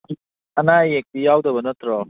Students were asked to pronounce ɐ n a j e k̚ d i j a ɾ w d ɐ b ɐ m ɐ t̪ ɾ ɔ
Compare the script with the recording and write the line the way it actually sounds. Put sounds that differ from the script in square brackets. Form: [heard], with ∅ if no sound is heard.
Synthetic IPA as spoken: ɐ n a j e k̚ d i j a [∅] w d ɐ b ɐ [n] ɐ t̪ ɾ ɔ